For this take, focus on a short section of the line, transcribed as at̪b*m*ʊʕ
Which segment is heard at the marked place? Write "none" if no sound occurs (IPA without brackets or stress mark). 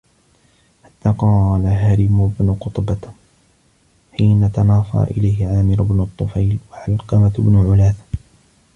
n